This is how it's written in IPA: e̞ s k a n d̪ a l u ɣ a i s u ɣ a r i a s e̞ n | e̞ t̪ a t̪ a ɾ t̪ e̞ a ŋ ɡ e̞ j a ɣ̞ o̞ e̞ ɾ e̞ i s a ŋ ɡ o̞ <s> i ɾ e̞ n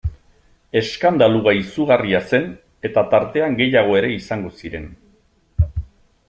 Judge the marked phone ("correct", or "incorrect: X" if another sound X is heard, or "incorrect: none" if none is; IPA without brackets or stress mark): correct